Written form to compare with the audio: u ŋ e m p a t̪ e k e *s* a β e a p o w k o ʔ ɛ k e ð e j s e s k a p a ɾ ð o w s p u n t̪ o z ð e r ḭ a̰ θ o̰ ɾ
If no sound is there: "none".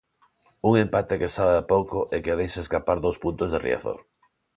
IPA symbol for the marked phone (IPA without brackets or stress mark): s